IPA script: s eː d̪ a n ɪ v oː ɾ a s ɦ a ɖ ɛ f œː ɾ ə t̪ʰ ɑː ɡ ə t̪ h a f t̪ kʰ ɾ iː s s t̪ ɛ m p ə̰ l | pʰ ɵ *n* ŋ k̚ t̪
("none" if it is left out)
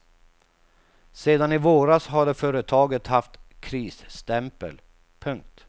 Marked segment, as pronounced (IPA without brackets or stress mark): none